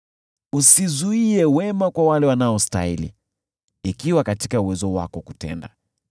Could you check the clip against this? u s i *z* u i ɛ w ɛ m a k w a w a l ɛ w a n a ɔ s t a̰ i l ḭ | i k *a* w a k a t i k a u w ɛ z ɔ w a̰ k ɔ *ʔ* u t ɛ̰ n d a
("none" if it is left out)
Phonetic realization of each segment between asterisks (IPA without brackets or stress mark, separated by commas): z, i, k